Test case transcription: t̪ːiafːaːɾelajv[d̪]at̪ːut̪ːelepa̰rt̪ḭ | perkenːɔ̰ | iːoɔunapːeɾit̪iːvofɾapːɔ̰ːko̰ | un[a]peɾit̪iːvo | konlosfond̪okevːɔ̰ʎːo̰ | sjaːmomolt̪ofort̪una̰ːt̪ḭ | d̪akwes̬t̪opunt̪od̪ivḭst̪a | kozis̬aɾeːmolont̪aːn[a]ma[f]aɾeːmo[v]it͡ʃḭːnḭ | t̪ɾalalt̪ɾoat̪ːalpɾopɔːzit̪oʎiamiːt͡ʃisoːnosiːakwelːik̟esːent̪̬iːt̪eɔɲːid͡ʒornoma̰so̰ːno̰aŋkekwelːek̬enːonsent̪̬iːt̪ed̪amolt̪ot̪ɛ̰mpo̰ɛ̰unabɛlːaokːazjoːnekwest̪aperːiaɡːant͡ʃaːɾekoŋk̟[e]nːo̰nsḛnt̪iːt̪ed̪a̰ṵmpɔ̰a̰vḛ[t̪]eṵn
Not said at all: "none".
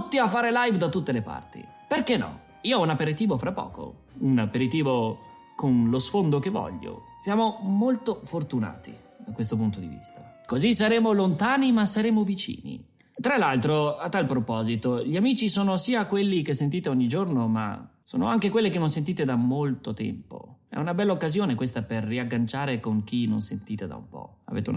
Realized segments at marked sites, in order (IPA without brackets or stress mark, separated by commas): d̪, a, i, s, v, i, t̪